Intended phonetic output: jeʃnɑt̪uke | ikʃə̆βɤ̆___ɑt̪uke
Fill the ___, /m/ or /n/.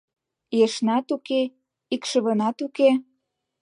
n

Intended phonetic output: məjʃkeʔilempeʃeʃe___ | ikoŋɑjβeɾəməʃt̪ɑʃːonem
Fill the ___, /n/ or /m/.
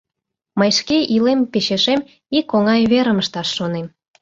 m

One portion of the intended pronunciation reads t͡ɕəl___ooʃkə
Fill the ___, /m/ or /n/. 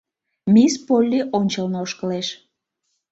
n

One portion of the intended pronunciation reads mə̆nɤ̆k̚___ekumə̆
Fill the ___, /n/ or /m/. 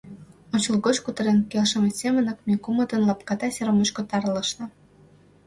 m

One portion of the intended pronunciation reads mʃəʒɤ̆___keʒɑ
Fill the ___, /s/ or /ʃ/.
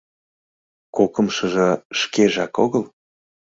ʃ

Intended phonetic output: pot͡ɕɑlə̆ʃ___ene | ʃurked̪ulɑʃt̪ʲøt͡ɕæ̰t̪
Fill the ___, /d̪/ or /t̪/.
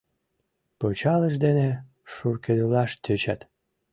d̪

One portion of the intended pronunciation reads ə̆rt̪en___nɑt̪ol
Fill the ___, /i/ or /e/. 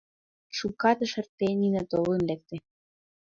i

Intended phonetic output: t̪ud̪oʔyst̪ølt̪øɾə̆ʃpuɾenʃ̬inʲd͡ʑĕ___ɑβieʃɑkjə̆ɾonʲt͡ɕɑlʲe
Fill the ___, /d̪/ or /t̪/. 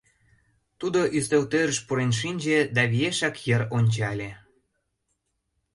d̪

